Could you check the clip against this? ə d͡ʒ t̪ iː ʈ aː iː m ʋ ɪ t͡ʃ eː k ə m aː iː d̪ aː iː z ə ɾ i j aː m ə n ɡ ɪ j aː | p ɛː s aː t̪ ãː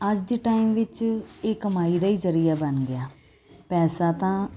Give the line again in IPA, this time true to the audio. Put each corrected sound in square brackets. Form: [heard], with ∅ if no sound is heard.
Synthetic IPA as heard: ə d͡ʒ [d̪] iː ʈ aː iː m ʋ ɪ t͡ʃ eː k ə m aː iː d̪ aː iː z ə ɾ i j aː [b] ə n ɡ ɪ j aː | p ɛː s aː t̪ ãː

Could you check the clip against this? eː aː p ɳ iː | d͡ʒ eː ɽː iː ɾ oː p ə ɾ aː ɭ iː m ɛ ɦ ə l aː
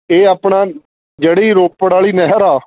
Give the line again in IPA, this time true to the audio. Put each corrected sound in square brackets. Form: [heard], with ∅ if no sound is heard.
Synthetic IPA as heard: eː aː p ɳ [aː] | d͡ʒ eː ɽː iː ɾ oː p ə [ɽ] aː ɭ iː [n] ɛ ɦ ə [ɾ] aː

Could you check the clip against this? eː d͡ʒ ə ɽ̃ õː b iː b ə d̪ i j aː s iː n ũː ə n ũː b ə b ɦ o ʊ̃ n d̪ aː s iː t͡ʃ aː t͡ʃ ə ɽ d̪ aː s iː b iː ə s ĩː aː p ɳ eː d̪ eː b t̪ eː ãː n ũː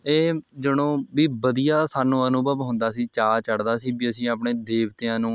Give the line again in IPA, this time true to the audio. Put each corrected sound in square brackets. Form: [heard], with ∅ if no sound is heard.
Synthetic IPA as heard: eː d͡ʒ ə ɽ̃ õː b iː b ə d̪ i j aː s [aː] n ũː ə n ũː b ə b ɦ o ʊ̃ n d̪ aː s iː t͡ʃ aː t͡ʃ ə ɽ d̪ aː s iː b iː ə s ĩː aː p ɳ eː d̪ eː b t̪ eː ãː n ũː

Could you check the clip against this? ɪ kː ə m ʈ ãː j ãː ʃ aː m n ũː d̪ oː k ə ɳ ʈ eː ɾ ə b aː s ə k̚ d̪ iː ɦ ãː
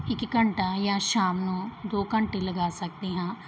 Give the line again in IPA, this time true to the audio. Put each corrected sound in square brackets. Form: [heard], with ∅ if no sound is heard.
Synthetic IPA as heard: ɪ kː ə [ɳ] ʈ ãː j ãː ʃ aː m n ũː d̪ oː k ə ɳ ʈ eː [l] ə [ɡ] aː s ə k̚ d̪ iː ɦ ãː

